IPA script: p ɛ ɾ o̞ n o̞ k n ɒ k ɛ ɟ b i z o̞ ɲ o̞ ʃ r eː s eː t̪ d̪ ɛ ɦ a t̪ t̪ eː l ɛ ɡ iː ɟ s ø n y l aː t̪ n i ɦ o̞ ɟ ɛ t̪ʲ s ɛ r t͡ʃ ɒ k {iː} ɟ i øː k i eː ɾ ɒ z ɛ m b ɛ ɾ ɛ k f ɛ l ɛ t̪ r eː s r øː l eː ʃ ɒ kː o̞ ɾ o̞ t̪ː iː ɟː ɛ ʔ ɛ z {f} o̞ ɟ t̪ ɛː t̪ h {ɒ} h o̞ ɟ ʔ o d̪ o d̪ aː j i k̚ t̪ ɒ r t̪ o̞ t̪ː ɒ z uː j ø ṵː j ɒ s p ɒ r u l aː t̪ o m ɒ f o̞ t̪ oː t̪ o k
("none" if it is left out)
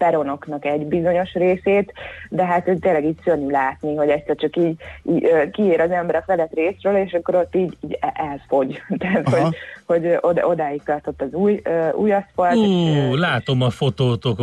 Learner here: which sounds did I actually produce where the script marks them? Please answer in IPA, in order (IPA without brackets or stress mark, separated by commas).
iː, f, o